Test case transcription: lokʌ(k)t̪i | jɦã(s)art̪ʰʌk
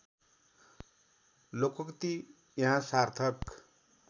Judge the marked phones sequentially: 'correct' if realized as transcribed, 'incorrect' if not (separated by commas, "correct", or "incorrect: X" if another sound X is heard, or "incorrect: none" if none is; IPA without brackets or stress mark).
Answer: correct, correct